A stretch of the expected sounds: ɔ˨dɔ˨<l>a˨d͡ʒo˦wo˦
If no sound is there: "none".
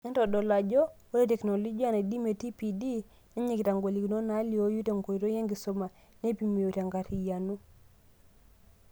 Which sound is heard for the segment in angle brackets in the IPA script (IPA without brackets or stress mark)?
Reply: l